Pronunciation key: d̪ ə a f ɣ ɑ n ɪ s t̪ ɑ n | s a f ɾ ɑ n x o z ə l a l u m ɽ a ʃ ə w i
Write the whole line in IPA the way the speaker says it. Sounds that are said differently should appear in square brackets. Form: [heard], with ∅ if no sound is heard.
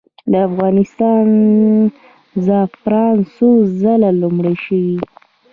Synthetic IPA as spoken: d̪ ə a f ɣ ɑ n ɪ s t̪ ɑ n | [z] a f ɾ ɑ n [s] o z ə l a l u m ɽ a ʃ ə w i